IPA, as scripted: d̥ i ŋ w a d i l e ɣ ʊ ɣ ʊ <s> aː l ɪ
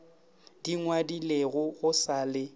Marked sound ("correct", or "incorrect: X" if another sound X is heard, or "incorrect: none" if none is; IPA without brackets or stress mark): correct